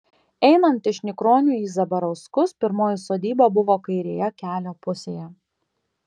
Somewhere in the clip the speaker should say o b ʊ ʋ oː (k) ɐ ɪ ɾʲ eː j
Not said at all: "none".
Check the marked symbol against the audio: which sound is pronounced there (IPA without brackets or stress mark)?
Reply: k